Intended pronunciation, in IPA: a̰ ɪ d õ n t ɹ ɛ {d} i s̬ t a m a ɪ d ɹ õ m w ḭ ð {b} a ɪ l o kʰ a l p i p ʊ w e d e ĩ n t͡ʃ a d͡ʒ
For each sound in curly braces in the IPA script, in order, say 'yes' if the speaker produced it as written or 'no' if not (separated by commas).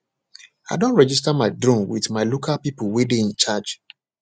no, no